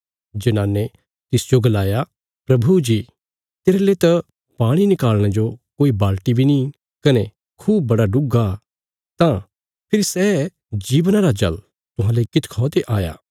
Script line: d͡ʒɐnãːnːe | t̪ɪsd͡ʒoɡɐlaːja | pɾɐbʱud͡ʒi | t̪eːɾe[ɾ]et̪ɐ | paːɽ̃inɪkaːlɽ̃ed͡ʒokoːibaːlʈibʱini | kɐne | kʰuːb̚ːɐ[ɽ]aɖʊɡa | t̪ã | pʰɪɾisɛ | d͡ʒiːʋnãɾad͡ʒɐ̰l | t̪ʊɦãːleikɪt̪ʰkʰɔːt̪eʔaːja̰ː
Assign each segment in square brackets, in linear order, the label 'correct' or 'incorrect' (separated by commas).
incorrect, correct